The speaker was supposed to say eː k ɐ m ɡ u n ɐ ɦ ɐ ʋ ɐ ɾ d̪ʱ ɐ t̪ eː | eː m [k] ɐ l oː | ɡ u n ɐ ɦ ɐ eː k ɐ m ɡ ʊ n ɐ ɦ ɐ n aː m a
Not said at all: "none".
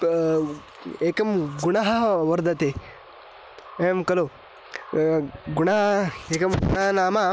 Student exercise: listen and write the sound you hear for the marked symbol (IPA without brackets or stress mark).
k